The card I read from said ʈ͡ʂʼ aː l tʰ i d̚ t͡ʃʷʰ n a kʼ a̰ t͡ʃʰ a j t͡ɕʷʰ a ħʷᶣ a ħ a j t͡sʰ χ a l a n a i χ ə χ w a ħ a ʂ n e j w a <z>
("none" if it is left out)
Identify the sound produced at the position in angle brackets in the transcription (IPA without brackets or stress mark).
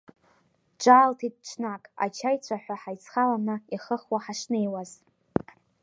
z